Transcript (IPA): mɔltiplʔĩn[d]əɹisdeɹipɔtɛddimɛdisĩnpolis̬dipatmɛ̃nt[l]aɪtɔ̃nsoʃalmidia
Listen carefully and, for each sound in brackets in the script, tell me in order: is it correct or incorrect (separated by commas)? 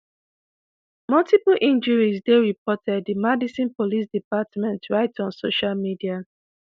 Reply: incorrect, incorrect